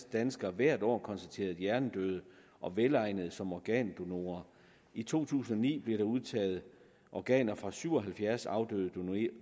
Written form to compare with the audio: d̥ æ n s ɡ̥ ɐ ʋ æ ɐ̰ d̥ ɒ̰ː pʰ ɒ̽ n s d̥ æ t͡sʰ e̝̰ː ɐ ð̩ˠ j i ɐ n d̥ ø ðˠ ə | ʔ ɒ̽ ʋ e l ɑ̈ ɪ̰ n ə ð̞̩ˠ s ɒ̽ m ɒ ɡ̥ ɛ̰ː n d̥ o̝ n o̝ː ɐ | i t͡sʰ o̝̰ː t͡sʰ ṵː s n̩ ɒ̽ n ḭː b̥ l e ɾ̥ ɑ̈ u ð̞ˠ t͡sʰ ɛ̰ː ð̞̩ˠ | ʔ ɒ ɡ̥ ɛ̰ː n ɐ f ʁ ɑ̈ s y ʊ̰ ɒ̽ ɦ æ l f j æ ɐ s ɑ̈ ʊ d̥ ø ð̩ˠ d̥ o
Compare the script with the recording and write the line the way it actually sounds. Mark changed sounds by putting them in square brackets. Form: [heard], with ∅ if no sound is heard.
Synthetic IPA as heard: d̥ æ n s ɡ̥ ɐ ʋ æ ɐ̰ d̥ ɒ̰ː [kʰ] ɒ̽ n s d̥ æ t͡sʰ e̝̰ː ɐ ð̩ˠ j [æ] ɐ n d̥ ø ðˠ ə | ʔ ɒ̽ ʋ e l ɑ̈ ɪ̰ n ə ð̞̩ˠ s ɒ̽ m ɒ ɡ̥ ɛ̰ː n d̥ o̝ n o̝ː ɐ | i t͡sʰ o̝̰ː t͡sʰ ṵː s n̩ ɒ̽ n ḭː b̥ l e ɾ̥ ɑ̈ u ð̞ˠ t͡sʰ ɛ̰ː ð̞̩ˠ | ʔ ɒ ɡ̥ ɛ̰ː n ɐ f ʁ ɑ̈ s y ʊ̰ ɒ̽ ɦ æ l f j æ ɐ s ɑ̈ ʊ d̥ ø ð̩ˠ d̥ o